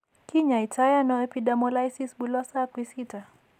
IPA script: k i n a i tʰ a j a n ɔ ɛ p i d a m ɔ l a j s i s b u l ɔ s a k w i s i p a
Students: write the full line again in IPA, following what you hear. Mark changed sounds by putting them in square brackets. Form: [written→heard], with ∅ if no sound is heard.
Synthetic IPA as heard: k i [n→ɲ] a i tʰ a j a n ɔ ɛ p i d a m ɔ l a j s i s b u l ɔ s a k w i s i [p→t] a